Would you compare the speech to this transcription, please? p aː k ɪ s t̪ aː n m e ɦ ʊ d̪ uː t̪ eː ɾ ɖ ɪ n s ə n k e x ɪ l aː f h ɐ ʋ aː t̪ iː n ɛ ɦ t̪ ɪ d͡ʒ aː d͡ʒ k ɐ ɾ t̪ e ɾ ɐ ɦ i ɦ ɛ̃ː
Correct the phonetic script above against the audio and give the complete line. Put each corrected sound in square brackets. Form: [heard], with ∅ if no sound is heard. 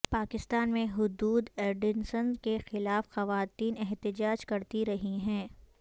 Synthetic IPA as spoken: p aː k ɪ s t̪ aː n m [ẽ] ɦ ʊ d̪ uː [d̪] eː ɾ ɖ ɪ n s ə n k e x ɪ l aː f [x] ɐ ʋ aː t̪ iː n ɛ ɦ t̪ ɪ d͡ʒ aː d͡ʒ k ɐ ɾ t̪ [i] ɾ ɐ ɦ i ɦ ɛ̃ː